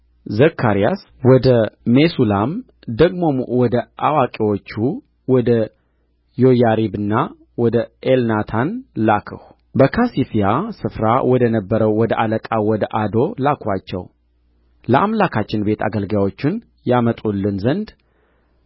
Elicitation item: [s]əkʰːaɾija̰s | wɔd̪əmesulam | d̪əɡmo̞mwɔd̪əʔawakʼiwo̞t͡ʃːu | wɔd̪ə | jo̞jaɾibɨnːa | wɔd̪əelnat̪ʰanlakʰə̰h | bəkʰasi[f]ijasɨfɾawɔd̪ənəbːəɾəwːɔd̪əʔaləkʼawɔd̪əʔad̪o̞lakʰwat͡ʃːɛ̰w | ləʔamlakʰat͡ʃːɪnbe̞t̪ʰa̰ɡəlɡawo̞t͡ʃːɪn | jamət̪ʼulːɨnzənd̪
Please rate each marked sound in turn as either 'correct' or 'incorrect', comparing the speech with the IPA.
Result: incorrect: z, correct

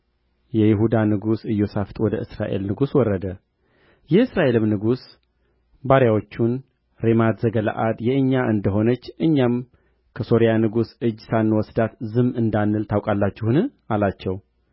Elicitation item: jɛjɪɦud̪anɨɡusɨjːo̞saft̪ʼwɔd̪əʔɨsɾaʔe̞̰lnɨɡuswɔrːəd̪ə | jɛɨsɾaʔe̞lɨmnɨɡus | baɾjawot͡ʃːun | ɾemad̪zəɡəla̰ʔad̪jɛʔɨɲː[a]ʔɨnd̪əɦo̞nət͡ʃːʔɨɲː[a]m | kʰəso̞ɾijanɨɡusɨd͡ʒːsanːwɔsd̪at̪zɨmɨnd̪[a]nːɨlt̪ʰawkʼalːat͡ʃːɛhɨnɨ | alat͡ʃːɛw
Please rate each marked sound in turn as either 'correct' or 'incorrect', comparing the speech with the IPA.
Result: correct, correct, correct

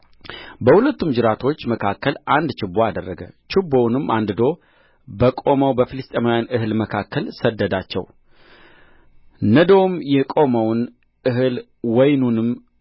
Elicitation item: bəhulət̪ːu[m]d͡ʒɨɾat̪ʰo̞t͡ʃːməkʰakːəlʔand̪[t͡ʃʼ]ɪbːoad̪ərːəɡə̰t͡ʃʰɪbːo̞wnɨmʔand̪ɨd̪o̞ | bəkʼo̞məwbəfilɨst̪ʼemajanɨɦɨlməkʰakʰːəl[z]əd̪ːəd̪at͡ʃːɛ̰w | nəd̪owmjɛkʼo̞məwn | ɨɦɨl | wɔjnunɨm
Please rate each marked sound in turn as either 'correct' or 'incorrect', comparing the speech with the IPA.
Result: correct, incorrect: t͡ʃ, incorrect: s

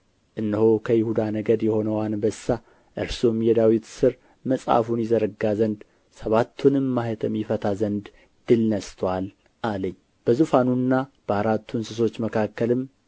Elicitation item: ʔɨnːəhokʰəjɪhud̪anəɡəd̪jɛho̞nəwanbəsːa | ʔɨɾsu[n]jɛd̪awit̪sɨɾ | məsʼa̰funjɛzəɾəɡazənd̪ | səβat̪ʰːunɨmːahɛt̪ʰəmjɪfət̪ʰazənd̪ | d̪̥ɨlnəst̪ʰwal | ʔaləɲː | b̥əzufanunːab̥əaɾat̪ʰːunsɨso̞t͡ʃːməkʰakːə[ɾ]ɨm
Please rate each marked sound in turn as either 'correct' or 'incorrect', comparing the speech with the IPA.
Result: incorrect: m, incorrect: l

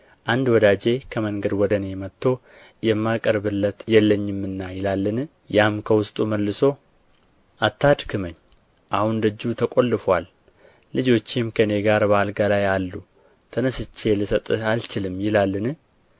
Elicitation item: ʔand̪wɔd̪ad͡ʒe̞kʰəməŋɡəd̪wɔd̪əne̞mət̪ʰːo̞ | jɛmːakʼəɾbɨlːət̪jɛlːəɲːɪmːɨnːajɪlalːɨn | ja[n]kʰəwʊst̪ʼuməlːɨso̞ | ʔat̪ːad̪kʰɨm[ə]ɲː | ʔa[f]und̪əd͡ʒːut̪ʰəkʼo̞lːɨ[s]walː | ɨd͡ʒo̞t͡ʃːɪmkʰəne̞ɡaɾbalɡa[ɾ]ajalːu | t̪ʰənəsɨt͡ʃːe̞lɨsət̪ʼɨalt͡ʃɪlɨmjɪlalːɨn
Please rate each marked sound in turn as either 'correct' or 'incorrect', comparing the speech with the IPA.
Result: incorrect: m, correct, incorrect: h, incorrect: f, incorrect: l

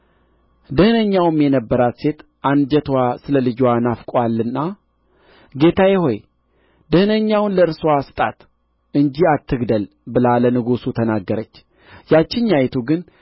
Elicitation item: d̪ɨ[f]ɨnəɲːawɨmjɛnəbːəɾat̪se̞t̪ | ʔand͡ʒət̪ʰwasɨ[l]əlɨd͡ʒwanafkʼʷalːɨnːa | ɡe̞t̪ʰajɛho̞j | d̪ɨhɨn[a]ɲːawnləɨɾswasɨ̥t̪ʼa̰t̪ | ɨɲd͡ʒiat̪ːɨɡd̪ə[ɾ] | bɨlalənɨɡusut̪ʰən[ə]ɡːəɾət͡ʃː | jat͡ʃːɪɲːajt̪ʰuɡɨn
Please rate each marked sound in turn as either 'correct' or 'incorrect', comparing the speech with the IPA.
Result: incorrect: h, correct, incorrect: ə, incorrect: l, incorrect: a

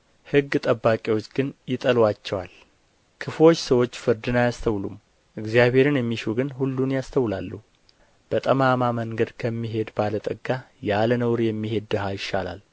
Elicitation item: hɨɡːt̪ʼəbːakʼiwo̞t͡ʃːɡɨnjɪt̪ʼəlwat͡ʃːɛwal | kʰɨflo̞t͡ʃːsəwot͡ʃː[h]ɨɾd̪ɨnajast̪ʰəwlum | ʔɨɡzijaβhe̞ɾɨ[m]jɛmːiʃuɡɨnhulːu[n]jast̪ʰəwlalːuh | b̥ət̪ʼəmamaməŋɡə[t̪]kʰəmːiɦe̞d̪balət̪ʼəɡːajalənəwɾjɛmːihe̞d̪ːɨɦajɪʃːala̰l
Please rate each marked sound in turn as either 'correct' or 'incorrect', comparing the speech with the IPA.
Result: incorrect: f, incorrect: n, correct, incorrect: d̪

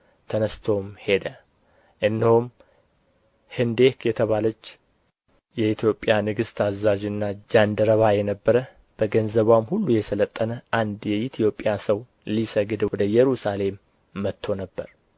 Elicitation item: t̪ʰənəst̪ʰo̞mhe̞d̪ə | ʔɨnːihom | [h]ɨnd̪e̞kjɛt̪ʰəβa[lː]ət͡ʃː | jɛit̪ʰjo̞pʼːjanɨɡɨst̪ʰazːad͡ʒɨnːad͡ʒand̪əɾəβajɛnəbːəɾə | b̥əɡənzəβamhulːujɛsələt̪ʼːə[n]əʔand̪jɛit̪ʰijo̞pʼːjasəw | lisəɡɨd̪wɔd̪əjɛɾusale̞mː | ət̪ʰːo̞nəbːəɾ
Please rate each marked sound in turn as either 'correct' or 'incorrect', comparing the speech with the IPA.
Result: correct, incorrect: l, correct

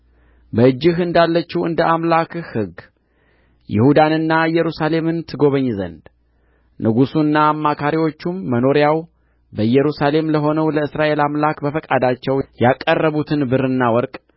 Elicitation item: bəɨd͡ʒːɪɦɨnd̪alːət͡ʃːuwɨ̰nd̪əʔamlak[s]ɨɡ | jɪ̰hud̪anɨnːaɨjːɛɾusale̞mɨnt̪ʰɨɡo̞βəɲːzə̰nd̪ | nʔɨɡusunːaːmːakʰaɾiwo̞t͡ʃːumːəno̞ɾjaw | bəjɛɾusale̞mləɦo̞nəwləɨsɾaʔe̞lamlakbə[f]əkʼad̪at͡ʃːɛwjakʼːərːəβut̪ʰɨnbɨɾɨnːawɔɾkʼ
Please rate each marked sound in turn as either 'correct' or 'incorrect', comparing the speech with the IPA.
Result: incorrect: h, correct

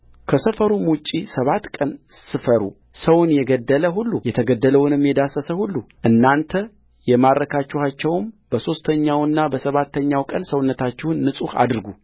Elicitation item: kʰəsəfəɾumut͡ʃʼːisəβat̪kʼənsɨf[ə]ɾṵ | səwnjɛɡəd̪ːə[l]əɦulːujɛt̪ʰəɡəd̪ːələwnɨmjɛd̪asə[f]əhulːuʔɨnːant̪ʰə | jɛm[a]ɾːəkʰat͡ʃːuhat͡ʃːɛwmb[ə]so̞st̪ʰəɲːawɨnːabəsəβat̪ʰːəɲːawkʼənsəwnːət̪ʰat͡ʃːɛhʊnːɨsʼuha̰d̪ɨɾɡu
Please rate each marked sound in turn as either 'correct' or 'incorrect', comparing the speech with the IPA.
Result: correct, correct, incorrect: s, correct, correct

